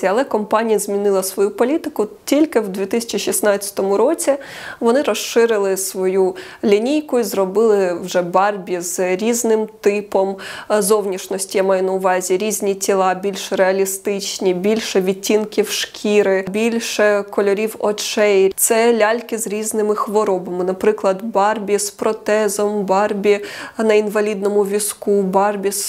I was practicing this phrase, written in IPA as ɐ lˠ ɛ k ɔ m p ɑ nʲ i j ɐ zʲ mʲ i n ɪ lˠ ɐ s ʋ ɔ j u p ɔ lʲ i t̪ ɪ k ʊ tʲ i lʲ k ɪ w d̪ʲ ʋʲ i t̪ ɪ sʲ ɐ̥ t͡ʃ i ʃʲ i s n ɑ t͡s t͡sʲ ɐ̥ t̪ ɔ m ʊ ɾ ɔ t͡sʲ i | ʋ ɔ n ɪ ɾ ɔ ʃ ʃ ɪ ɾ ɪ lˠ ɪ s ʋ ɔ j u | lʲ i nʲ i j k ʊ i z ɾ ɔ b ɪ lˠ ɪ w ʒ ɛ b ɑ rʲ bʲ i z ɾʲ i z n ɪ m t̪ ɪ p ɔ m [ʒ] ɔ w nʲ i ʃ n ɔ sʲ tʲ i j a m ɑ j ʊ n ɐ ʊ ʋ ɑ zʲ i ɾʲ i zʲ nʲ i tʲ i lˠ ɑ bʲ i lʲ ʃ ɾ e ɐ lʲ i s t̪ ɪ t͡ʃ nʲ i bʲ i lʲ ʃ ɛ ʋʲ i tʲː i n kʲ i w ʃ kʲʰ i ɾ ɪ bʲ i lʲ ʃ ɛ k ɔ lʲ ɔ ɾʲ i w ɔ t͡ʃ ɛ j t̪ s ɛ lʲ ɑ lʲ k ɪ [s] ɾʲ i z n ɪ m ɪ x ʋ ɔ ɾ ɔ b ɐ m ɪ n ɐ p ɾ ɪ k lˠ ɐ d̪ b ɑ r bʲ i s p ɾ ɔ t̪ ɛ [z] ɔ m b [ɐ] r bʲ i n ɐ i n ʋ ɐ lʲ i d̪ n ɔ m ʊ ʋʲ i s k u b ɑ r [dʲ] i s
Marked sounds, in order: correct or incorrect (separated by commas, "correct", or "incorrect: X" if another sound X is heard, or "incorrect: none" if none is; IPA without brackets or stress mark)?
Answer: incorrect: z, incorrect: z, correct, incorrect: ɑ, incorrect: bʲ